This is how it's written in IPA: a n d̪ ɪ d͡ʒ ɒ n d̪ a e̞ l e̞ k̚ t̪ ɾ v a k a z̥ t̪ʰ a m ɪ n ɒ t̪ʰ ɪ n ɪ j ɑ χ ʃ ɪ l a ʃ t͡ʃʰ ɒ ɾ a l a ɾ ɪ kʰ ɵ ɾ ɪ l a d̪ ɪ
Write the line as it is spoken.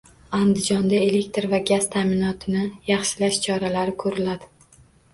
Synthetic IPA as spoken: a n d̪ ɪ d͡ʒ ɒ n d̪ a e̞ l e̞ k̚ t̪ ɾ v a ɡ a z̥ t̪ʰ a m ɪ n ɒ t̪ʰ ɪ n ɪ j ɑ χ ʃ ɪ l a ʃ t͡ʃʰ ɒ ɾ a l a ɾ ɪ kʰ ɵ ɾ ɪ l a d̪ ɪ